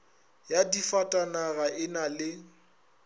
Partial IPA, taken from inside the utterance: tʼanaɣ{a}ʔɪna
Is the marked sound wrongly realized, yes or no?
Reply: no